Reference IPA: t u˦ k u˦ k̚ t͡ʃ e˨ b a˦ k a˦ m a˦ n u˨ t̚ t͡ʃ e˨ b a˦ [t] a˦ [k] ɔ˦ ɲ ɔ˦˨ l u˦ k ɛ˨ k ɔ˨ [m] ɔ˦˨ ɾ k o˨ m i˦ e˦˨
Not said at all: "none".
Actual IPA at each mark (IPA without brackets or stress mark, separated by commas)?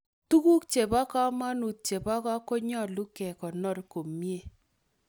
k, k, n